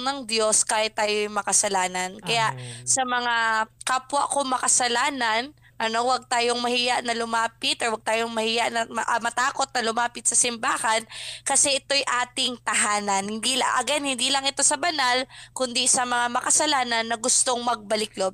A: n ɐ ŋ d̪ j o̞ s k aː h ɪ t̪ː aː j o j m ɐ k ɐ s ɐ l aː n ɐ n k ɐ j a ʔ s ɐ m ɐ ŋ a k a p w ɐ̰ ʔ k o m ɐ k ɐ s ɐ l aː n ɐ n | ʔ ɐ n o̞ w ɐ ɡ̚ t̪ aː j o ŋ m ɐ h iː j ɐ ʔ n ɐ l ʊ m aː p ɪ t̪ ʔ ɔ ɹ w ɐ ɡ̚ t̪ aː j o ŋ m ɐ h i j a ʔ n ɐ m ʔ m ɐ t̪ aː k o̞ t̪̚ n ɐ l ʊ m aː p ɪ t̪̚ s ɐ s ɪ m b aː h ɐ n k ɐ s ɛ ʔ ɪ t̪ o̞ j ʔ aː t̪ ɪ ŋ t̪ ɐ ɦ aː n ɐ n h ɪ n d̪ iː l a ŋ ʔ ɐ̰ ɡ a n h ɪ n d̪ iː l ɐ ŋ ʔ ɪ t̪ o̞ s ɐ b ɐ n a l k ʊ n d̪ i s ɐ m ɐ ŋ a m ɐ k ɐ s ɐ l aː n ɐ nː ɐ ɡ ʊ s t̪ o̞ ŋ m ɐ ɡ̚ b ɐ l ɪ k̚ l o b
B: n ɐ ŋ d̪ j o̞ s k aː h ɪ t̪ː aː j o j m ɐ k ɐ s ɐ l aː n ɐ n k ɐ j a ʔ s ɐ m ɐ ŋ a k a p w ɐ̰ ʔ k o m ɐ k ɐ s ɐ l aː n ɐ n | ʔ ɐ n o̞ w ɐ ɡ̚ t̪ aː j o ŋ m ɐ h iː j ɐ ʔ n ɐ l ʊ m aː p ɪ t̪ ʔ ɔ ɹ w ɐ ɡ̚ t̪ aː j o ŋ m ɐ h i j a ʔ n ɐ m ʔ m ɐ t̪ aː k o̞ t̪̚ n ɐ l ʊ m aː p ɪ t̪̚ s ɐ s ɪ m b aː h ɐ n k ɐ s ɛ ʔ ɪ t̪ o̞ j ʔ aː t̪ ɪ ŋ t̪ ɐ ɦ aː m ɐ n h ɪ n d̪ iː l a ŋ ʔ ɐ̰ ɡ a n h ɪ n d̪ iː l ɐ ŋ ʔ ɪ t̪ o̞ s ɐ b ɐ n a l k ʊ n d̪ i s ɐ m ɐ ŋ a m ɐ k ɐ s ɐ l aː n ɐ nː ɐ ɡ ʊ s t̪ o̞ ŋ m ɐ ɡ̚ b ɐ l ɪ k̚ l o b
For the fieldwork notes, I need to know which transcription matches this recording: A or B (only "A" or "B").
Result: A